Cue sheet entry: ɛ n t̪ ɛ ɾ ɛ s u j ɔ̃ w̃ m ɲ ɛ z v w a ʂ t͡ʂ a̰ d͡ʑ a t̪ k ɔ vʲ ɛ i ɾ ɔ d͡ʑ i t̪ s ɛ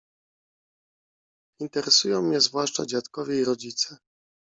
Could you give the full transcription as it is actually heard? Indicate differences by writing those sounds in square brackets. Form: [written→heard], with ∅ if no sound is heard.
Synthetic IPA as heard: [ɛ→i] n t̪ ɛ ɾ ɛ s u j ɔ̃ w̃ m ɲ ɛ z v w a ʂ t͡ʂ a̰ d͡ʑ a t̪ k ɔ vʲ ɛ i ɾ ɔ d͡ʑ i t̪ s ɛ